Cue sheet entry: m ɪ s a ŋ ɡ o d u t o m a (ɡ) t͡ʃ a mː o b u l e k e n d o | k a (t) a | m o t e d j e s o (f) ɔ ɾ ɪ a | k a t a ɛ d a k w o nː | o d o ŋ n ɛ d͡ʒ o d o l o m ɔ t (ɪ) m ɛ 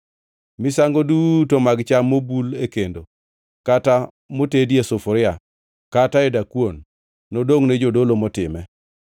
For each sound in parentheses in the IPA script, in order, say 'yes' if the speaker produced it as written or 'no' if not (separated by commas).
yes, yes, yes, yes